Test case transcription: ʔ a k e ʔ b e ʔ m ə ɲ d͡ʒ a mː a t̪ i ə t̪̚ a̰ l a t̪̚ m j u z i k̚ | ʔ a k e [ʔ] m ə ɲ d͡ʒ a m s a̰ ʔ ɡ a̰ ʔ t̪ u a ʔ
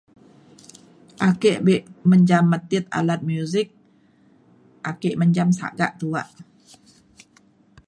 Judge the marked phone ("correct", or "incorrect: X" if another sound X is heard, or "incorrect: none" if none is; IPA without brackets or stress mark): correct